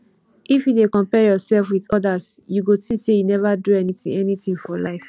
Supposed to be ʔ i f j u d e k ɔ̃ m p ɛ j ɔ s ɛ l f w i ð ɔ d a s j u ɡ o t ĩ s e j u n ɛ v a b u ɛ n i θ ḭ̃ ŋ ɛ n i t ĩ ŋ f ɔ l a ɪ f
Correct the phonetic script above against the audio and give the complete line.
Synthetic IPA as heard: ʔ i f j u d e k ɔ̃ m p ɛ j ɔ s ɛ l f w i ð ɔ d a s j u ɡ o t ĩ s e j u n ɛ v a d u ɛ n i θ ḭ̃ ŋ ɛ n i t ĩ ŋ f ɔ l a ɪ f